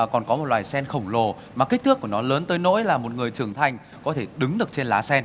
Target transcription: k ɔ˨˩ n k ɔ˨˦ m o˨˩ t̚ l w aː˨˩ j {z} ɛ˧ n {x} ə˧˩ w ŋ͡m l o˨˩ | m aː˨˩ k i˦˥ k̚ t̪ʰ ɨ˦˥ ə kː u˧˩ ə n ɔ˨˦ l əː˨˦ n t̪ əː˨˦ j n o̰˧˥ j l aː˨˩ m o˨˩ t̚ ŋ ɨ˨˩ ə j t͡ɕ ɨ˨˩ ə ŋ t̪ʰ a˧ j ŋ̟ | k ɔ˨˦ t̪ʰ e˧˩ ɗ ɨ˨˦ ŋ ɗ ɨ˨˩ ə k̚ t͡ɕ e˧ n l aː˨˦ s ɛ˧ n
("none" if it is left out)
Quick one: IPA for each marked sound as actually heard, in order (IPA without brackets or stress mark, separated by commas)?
s, x